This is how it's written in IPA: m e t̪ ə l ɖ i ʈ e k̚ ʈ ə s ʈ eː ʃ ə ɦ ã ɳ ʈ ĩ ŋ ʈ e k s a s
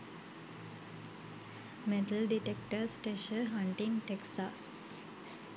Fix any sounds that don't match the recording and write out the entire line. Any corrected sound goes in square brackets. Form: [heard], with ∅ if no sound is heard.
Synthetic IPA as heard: m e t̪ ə l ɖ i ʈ e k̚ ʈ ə s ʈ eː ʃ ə ɦ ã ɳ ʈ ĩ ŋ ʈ e k s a s